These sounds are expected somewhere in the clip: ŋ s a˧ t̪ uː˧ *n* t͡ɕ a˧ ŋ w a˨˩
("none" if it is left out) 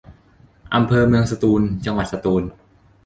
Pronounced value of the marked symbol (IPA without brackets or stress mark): n